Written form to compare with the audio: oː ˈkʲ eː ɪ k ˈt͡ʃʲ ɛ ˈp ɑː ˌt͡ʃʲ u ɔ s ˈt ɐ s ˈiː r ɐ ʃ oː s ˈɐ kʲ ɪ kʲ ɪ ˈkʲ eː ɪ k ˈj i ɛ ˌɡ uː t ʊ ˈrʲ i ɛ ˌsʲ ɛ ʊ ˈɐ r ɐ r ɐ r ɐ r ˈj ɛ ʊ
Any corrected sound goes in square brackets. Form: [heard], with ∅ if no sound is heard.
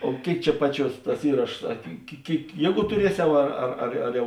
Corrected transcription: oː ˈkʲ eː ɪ k ˈt͡ʃʲ ɛ ˈp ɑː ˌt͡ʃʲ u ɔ s ˈt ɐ s ˈiː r ɐ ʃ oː s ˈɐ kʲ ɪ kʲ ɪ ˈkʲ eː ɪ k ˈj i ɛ ˌɡ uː t ʊ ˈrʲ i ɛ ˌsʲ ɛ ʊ ˈɐ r ɐ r ɐ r ɐ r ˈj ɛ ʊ